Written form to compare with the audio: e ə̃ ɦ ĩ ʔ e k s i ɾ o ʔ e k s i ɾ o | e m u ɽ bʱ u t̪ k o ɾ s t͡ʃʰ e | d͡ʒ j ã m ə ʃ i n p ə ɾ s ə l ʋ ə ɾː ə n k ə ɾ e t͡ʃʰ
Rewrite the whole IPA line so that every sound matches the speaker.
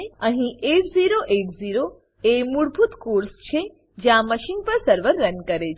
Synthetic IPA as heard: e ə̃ ɦ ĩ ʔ e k z i ɾ o ʔ e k z i ɾ o | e m u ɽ bʱ u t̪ k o ɾ s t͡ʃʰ e | d͡ʒ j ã m ə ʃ i n p ə ɾ s ə ɾ ʋ ə ɾː ə n k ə ɾ e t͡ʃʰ